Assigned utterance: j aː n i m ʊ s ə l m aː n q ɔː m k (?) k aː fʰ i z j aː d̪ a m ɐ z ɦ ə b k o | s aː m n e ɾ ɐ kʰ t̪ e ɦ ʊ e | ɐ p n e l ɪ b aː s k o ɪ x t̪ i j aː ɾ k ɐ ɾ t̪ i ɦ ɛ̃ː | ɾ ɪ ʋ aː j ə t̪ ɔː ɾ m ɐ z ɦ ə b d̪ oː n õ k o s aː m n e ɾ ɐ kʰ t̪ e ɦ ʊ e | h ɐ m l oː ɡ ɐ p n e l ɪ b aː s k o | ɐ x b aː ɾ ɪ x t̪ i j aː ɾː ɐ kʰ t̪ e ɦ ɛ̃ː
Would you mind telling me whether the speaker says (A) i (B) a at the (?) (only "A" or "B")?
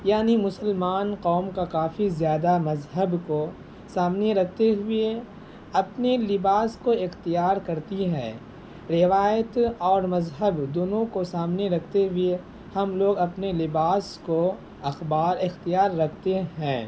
B